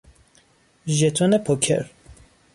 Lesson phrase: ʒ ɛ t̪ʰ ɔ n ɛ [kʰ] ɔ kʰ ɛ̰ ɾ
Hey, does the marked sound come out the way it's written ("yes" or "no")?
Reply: no